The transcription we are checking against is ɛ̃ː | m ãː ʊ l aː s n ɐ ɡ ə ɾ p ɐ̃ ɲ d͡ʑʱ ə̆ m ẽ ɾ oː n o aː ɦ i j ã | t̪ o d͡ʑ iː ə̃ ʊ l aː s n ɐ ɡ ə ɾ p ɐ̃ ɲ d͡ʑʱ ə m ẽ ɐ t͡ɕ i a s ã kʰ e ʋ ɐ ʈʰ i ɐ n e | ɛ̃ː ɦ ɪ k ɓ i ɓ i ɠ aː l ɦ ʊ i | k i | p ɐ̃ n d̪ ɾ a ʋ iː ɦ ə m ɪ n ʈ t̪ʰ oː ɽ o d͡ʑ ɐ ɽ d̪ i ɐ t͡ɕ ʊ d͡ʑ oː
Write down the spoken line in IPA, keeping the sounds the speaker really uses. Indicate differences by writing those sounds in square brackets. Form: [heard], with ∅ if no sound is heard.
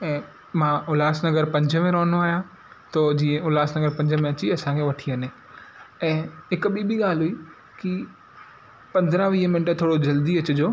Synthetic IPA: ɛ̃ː | m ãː ʊ l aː s n ɐ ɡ ə ɾ p ɐ̃ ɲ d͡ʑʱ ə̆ m ẽ ɾ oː n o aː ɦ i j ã | t̪ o d͡ʑ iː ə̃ ʊ l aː s n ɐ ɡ ə ɾ p ɐ̃ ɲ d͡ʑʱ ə m ẽ ɐ t͡ɕ i [ɐ] s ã kʰ e ʋ ɐ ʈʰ i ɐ n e | ɛ̃ː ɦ ɪ k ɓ i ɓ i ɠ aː l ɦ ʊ i | k i | p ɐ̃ n d̪ ɾ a ʋ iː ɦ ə m ɪ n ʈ t̪ʰ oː ɽ o d͡ʑ ɐ [l] d̪ i ɐ t͡ɕ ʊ d͡ʑ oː